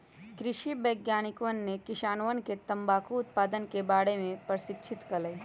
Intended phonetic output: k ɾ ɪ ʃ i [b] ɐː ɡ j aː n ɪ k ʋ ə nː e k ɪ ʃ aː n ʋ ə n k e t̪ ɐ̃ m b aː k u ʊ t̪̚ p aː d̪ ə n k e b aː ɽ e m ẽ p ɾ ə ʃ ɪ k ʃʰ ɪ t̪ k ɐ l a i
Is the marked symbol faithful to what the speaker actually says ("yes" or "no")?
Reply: yes